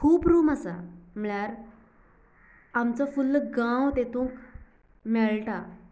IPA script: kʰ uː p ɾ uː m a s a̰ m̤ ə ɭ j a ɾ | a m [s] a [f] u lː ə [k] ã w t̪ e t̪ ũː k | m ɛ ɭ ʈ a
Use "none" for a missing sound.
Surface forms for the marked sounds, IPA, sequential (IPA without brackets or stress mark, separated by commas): t͡s, f, ɡ